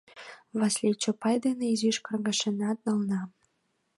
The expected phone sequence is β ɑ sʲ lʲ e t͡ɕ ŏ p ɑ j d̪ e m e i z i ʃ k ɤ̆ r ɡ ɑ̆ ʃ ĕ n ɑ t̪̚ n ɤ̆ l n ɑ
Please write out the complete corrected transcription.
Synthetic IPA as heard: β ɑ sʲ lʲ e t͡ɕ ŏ p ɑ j d̪ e n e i z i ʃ k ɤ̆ r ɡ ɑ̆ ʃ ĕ n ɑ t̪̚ n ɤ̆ l n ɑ